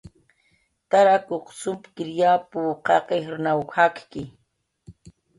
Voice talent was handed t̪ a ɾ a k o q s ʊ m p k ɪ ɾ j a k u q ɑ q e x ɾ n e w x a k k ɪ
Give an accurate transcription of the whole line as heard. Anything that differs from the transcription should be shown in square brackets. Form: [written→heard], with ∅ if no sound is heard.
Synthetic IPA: t̪ a ɾ a k o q s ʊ m p k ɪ ɾ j a [k→p] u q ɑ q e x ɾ n [e→a] w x a k k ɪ